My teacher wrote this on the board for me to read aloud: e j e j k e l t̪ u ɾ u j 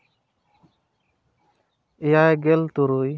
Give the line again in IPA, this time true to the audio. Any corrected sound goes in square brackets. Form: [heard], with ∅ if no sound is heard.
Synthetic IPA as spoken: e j [a] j [ɡ] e l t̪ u ɾ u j